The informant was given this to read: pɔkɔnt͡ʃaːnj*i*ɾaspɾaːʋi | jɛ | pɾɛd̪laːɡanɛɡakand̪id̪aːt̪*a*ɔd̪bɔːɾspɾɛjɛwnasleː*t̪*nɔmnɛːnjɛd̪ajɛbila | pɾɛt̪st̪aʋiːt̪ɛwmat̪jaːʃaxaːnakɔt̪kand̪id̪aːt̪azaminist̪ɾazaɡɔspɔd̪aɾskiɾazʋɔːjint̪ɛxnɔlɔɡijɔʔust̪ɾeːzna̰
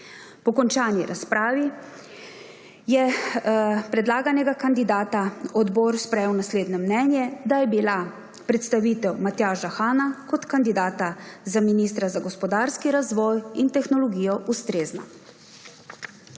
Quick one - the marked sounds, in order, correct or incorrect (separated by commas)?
correct, correct, incorrect